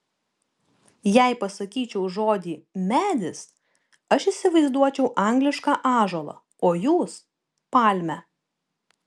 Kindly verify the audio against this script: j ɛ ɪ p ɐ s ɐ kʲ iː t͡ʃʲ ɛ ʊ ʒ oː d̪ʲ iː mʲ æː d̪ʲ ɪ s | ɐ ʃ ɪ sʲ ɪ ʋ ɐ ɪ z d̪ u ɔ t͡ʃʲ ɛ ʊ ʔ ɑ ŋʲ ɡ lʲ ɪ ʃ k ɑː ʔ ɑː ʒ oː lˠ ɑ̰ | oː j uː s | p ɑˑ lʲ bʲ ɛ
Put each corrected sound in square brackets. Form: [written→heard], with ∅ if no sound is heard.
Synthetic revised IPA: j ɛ ɪ p ɐ s ɐ kʲ iː t͡ʃʲ ɛ ʊ ʒ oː d̪ʲ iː mʲ æː d̪ʲ ɪ s | ɐ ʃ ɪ sʲ ɪ ʋ ɐ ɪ z d̪ u ɔ t͡ʃʲ ɛ ʊ ʔ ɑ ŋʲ ɡ lʲ ɪ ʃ k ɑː ʔ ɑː ʒ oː lˠ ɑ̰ | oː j uː s | p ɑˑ lʲ [bʲ→mʲ] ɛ